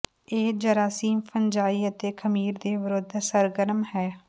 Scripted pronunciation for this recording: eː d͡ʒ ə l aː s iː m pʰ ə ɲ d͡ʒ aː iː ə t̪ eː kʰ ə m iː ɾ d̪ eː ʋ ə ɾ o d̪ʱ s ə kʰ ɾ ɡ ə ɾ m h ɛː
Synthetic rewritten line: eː d͡ʒ ə ɾ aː s iː m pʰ ə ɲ d͡ʒ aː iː ə t̪ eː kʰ ə m iː ɾ d̪ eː ʋ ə ɾ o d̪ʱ s ə ɾ ɡ ə ɾ m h ɛː